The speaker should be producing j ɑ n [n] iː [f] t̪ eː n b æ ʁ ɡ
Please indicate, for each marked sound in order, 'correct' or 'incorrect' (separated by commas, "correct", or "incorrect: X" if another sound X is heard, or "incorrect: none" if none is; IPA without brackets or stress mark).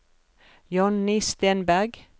correct, incorrect: s